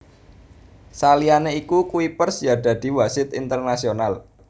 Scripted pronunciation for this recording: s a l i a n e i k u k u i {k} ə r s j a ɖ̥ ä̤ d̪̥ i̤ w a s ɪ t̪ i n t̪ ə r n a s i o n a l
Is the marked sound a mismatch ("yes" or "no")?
yes